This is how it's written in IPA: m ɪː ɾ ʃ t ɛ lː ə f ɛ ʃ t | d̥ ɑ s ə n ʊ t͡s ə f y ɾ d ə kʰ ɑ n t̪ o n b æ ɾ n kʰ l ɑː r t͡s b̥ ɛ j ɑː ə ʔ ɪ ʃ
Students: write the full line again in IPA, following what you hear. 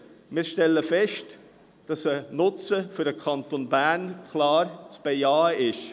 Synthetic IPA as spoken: m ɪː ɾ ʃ t ɛ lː ə f ɛ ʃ t | d̥ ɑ s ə n ʊ t͡s ə f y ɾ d ə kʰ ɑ n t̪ o n b æ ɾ n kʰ l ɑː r t͡s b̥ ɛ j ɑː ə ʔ ɪ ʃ